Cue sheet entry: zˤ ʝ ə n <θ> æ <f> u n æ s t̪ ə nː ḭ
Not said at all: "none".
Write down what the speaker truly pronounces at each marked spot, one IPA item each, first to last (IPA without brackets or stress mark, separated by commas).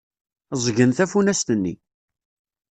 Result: θ, f